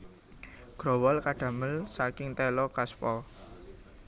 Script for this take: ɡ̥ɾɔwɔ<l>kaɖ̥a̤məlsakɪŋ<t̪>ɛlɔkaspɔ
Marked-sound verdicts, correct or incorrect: correct, correct

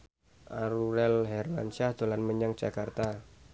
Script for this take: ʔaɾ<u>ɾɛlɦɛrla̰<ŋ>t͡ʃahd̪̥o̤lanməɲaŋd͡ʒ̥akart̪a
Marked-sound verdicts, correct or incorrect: correct, incorrect: n

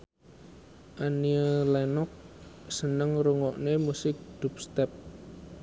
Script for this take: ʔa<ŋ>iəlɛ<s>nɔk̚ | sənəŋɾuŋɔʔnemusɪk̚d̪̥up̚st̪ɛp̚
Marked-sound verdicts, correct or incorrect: incorrect: n, incorrect: none

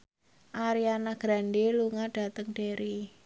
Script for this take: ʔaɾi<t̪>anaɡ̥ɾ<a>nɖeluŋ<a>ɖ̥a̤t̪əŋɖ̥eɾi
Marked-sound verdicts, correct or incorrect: incorrect: none, correct, correct

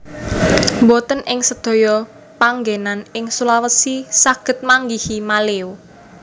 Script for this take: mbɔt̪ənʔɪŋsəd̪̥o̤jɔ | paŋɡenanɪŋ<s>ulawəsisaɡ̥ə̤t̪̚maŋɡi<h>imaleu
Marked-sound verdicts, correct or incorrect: correct, correct

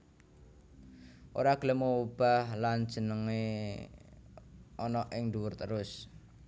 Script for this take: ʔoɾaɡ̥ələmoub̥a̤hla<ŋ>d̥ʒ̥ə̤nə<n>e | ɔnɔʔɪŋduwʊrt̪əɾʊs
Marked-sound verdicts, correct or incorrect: incorrect: n, incorrect: ŋ

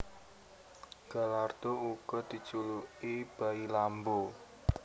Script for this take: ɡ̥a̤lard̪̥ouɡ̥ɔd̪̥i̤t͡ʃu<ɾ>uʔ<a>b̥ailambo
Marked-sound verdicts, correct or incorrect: incorrect: l, incorrect: i

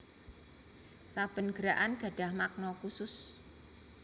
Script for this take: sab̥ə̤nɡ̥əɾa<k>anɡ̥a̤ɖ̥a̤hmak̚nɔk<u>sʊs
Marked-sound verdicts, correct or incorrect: incorrect: ʔ, correct

